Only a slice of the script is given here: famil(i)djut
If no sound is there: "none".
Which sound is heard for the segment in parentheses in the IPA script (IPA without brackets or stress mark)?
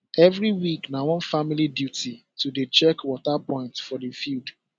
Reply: i